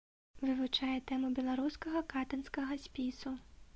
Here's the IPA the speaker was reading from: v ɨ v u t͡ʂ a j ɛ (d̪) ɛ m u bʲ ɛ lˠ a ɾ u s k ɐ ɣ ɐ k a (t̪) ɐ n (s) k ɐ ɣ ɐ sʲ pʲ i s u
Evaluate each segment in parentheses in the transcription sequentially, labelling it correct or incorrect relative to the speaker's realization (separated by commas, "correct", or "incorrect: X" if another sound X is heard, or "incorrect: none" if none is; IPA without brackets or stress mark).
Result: incorrect: t̪, correct, correct